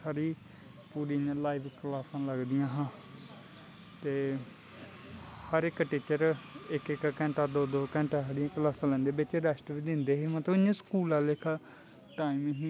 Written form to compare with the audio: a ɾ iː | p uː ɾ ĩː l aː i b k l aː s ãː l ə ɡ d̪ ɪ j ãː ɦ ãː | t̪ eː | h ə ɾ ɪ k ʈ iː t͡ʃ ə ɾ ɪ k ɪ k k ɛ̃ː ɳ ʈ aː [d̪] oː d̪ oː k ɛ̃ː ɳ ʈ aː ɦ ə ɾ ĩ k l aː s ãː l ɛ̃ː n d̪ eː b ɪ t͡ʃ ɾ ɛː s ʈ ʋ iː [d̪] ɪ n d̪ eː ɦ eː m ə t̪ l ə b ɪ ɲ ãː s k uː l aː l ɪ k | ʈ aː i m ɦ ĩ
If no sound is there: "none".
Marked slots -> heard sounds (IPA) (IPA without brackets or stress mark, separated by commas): d̪, d̪